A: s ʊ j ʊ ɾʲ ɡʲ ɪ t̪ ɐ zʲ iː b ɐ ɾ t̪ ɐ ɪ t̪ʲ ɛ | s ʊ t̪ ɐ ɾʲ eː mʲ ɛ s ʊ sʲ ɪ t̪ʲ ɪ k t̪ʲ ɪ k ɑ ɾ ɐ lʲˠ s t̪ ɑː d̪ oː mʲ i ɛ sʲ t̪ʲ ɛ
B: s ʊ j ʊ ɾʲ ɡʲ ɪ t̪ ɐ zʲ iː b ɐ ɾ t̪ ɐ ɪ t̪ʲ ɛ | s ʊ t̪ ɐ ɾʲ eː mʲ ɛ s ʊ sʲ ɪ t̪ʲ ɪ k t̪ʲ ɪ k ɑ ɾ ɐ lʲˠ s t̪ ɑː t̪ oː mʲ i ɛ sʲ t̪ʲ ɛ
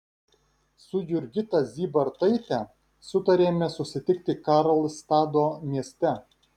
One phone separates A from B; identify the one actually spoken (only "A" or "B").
A